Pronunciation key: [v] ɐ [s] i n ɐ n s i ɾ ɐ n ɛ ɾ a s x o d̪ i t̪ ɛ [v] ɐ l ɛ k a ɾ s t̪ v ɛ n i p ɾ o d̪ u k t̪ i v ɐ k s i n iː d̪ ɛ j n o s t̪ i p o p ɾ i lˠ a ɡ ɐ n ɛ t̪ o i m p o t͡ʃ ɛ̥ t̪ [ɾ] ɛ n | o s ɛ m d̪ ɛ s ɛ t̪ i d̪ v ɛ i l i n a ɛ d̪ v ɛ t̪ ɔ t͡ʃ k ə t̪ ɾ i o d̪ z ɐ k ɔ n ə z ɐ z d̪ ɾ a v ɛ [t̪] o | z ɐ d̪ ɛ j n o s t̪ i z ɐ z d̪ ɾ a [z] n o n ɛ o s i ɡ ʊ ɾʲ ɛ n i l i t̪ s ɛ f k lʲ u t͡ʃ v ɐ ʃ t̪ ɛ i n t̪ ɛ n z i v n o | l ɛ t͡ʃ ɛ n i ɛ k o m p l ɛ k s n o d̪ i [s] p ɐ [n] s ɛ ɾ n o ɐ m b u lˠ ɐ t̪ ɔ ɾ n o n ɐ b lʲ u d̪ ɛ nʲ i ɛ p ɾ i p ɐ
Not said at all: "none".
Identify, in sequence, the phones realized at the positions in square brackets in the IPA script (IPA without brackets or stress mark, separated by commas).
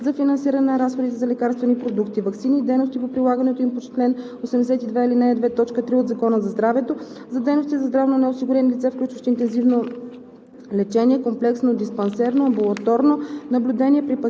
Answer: z, f, z, l, t̪, v, s, n